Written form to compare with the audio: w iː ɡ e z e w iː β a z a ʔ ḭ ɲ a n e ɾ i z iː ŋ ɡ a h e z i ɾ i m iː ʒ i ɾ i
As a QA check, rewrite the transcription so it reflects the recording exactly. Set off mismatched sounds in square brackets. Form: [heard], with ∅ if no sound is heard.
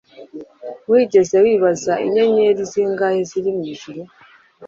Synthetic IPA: w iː [ɟ] e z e w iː β a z a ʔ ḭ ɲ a [ɲ] e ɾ i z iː ŋ ɡ a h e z i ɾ i m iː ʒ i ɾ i